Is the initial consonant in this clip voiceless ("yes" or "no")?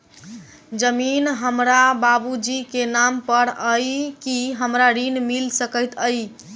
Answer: no